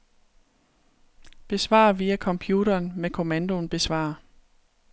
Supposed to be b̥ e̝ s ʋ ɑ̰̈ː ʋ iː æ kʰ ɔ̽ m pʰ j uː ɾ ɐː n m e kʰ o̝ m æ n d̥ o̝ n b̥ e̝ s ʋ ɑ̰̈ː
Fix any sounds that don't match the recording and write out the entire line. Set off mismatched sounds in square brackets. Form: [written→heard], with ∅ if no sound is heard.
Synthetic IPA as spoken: b̥ e̝ s ʋ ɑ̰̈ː ʋ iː æ kʰ [ɔ̽→ɒ̽] m pʰ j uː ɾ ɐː n m e kʰ o̝ m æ n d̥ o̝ n b̥ e̝ s ʋ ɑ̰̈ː